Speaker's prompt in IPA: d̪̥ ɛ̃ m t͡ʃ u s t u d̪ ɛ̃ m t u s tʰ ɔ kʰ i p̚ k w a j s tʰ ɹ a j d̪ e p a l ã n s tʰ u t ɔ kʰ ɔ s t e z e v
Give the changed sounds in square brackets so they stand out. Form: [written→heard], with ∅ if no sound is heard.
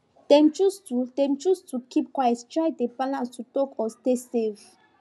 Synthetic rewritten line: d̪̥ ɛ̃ m t͡ʃ u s t u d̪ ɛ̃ m [t→t͡ʃ] u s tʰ [ɔ→u] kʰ i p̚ k w a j s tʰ ɹ a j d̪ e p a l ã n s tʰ u t ɔ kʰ ɔ s t e [z→s] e v